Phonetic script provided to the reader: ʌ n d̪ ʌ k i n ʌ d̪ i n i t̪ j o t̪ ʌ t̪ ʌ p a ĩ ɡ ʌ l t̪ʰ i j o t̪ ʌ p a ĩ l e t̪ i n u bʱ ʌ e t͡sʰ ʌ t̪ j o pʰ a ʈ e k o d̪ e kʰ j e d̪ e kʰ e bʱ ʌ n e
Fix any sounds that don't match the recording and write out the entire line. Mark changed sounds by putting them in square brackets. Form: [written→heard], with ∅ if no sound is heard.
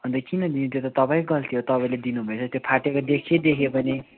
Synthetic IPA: ʌ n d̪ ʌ k i n ʌ d̪ i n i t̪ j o t̪ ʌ t̪ ʌ p a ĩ ɡ ʌ l t̪ʰ i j o t̪ ʌ p a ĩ l e [t̪→d̪] i n u bʱ ʌ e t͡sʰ ʌ t̪ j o pʰ a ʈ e k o d̪ e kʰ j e d̪ e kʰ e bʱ ʌ n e